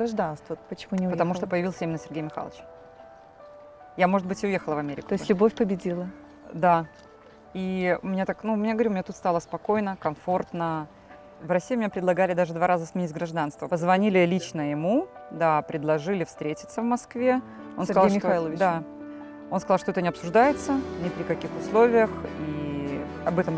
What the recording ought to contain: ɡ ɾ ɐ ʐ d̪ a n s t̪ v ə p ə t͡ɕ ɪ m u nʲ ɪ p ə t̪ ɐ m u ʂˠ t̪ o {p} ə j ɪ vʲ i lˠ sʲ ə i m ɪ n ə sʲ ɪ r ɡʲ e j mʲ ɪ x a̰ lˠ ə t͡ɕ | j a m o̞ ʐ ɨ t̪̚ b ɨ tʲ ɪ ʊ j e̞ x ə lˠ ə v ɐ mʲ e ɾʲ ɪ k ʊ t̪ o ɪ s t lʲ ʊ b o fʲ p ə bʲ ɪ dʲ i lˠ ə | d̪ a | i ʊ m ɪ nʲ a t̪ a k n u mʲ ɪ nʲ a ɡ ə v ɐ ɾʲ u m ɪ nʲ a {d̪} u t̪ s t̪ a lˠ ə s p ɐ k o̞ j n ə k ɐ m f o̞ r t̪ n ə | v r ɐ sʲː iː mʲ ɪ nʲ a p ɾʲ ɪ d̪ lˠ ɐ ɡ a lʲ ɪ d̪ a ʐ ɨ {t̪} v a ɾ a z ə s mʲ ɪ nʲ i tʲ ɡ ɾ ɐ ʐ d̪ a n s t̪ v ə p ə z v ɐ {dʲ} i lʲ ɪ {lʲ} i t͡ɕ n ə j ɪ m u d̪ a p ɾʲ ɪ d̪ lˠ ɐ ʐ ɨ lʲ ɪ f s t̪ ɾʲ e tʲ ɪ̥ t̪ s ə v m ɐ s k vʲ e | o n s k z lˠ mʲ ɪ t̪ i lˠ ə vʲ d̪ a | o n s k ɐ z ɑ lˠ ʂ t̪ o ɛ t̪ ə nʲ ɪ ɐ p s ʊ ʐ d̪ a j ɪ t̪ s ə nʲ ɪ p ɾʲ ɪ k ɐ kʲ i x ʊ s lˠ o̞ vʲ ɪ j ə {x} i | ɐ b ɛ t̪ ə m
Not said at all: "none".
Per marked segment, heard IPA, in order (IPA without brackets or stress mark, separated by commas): p, t̪, d̪, nʲ, lʲ, x